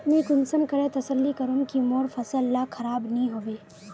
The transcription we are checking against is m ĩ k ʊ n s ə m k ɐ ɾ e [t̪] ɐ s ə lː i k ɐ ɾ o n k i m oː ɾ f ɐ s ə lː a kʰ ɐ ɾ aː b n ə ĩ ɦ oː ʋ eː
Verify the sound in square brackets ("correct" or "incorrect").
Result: correct